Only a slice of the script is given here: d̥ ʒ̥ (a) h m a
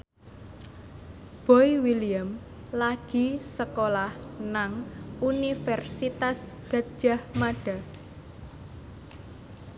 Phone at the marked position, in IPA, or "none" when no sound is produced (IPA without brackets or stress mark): a